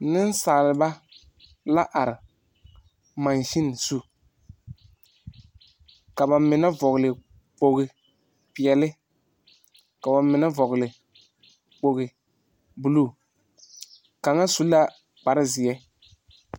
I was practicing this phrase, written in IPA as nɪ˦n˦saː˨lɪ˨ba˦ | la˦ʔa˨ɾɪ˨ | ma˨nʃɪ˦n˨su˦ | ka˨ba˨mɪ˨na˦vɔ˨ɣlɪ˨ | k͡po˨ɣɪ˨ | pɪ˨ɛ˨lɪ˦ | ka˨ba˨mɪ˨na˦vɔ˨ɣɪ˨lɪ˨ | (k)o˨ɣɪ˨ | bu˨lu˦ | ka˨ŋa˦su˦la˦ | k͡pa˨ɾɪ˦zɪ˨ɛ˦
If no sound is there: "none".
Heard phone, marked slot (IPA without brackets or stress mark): k͡p